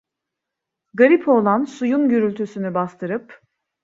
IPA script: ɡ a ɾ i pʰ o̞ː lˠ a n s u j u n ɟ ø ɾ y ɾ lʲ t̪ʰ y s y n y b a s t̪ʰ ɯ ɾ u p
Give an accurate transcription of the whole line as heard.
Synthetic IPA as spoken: ɡ a ɾ i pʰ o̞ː lˠ a n s u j u n ɟ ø ɾ y lʲ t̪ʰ y s y n y b a s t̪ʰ ɯ ɾ ɯ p